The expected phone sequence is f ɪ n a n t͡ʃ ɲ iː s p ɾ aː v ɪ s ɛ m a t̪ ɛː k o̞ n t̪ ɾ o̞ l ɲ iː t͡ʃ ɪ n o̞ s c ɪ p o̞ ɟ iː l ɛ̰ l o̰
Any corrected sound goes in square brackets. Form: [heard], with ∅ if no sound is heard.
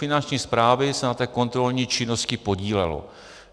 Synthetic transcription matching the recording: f ɪ n a n t͡ʃ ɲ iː s p ɾ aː v ɪ s ɛ [n] a t̪ ɛː k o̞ n t̪ ɾ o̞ l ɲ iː t͡ʃ ɪ n o̞ s c ɪ p o̞ ɟ iː l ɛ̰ l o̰